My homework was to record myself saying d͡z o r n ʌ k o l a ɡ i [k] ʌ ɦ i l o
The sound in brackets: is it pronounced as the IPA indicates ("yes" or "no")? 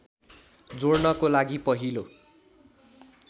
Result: no